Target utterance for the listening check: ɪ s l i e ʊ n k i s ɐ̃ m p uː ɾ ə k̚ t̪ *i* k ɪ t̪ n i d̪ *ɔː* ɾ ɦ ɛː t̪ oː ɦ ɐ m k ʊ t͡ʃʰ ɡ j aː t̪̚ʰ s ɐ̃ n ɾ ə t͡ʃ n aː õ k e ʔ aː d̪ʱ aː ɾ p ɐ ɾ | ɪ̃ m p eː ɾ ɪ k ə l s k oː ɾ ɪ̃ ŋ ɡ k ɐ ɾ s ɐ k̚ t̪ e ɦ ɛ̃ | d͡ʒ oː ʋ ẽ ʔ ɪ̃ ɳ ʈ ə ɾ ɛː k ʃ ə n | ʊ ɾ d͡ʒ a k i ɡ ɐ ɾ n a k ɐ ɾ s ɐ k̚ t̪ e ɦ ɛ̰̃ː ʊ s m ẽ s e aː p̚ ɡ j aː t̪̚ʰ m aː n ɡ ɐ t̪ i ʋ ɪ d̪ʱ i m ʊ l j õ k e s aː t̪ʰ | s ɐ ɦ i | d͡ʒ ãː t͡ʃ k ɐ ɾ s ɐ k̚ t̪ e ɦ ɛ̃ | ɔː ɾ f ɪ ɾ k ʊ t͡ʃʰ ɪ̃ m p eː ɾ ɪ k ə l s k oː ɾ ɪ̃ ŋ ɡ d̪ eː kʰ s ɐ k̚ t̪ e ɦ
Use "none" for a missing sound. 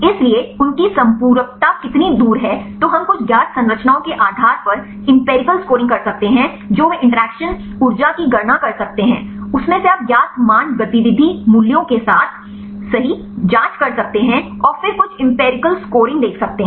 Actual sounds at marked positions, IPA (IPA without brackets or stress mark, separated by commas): a, uː